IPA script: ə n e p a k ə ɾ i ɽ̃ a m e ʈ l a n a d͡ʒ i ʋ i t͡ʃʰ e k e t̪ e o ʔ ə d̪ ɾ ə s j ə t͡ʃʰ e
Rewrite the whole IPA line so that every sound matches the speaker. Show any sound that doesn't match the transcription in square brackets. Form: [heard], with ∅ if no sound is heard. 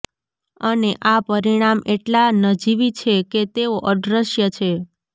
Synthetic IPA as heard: ə n e [ʔ] a [p] ə ɾ i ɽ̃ a m e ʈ l a n [ə] d͡ʒ i ʋ i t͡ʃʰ e k e t̪ e o ʔ ə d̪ ɾ ə [ʃ] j ə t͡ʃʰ e